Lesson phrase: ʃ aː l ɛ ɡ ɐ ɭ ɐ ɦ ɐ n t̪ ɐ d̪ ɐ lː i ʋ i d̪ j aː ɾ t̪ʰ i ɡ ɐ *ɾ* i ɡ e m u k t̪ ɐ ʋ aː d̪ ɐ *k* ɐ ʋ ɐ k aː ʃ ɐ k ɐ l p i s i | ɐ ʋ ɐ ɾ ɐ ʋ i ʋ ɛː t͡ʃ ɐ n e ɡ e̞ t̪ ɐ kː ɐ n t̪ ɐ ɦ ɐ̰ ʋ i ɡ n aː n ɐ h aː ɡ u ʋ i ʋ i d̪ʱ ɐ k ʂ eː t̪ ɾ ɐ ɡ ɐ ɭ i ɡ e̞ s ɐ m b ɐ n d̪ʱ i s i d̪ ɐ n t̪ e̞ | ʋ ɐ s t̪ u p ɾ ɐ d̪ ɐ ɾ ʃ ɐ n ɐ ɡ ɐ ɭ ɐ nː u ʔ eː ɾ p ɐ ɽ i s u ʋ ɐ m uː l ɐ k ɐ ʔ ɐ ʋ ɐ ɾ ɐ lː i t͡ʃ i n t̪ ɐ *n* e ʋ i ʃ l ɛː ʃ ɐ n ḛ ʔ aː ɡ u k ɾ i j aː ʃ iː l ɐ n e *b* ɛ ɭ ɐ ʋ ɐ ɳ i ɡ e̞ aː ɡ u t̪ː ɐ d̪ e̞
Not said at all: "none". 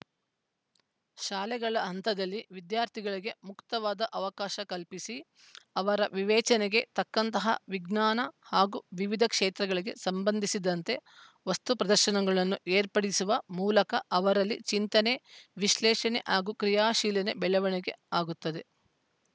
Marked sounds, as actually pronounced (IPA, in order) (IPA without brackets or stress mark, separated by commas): ɭ, ʔ, n, b